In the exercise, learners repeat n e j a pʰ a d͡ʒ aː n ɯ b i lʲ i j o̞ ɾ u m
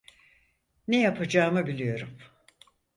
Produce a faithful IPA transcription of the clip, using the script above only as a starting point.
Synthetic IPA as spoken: n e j a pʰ a d͡ʒ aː m ɯ b i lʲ i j o̞ ɾ u m